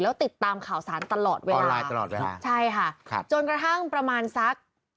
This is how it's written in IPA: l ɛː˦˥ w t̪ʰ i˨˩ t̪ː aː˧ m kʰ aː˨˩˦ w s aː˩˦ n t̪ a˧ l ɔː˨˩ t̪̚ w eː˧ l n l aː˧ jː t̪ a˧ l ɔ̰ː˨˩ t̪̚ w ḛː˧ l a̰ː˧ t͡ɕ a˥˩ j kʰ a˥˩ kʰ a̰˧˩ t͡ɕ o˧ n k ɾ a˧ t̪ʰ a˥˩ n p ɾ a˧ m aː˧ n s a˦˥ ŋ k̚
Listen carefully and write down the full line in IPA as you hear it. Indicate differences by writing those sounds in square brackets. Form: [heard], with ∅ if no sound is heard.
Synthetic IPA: l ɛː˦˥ w [t̪] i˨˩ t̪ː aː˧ m kʰ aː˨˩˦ w s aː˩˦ n t̪ a˧ l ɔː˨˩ t̪̚ w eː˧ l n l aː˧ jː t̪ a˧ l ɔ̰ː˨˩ t̪̚ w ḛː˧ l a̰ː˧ [t͡ɕʰ] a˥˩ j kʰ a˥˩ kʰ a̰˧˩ t͡ɕ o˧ n k ɾ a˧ t̪ʰ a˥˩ [ŋ] p ɾ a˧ m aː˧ n s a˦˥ [∅] k̚